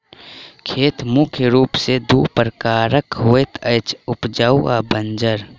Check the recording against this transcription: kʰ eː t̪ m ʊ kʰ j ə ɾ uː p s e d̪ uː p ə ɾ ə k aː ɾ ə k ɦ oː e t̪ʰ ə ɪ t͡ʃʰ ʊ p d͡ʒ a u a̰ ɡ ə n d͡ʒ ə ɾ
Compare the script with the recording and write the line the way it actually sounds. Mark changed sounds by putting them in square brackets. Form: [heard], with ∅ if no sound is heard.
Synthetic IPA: kʰ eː t̪ m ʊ kʰ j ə ɾ uː p s e d̪ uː p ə ɾ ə k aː ɾ ə k ɦ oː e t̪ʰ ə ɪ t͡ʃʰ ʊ p d͡ʒ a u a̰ [b] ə n d͡ʒ ə ɾ